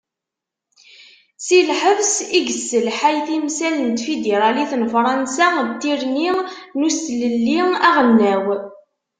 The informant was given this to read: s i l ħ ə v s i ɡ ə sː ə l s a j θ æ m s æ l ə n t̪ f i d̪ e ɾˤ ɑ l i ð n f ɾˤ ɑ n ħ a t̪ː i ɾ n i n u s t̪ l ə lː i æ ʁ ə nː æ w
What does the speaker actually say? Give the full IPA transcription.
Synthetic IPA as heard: s i l ħ ə v s i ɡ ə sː ə l ħ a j θ i m s æ l ə n t̪ f i d̪ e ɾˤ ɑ l i θ n f ɾˤ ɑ n s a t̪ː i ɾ n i n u s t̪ l ə lː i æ ʁ ə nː æ w